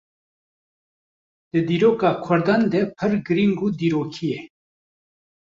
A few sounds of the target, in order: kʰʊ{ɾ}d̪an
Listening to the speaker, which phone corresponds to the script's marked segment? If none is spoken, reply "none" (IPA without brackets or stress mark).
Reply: ɾ